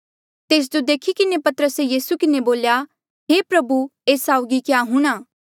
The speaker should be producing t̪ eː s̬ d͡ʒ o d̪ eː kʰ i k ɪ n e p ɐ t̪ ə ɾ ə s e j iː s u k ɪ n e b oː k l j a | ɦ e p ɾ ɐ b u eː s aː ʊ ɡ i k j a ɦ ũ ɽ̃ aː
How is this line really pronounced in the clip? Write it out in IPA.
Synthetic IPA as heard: t̪ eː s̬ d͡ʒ o d̪ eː kʰ i k ɪ n e p ɐ t̪ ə ɾ ə s e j iː s u k ɪ n e b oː l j a | ɦ e p ɾ ɐ b u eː s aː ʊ ɡ i k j a ɦ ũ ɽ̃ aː

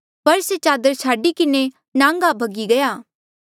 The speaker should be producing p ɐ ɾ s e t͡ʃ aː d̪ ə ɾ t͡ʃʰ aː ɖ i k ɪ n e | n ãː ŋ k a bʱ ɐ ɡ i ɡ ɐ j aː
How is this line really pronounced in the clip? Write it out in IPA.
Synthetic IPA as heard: p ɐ ɾ s e t͡ʃ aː d̪ ə ɾ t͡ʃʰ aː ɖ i k ɪ n e | n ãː ŋ ɡ a bʱ ɐ ɡ i ɡ ɐ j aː

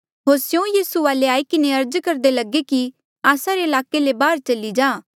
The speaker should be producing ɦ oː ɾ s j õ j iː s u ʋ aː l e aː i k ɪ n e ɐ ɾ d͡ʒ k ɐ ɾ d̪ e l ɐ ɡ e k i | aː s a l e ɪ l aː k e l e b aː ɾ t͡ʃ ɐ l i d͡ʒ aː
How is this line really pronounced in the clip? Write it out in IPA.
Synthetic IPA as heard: ɦ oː ɾ s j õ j iː s u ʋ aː l e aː i k ɪ n e ɐ ɾ d͡ʒ k ɐ ɾ d̪ e l ɐ ɡ e k i | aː s a ɾ e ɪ l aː k e l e b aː ɾ t͡ʃ ɐ l i d͡ʒ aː

